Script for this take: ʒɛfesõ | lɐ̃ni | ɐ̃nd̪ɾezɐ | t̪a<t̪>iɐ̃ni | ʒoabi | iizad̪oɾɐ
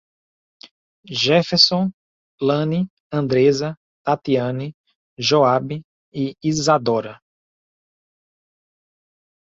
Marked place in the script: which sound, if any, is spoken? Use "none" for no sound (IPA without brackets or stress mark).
t̪